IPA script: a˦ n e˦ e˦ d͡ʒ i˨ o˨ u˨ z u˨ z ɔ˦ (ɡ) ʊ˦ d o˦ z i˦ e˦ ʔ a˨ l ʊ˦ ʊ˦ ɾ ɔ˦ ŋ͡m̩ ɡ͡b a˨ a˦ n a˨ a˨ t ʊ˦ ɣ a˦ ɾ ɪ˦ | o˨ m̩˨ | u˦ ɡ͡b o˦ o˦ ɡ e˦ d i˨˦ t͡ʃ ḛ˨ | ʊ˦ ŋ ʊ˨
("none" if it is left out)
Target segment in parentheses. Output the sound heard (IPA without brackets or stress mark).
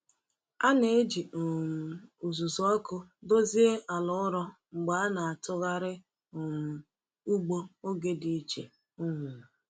k